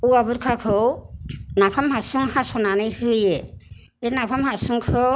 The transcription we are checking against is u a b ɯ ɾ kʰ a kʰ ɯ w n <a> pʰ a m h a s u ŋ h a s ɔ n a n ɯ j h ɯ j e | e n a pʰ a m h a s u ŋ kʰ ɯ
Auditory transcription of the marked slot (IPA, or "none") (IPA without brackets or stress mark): a